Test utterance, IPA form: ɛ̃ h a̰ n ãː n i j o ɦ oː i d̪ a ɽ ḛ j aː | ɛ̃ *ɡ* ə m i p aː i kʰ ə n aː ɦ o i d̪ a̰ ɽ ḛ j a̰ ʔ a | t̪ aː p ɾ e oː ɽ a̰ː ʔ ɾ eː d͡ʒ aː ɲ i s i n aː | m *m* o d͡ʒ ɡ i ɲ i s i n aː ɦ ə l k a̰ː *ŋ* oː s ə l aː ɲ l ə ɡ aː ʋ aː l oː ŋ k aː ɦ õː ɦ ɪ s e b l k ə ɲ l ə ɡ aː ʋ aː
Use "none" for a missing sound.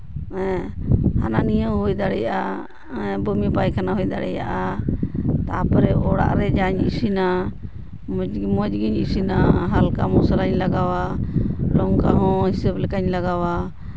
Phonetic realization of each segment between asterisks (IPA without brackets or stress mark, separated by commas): b, m, m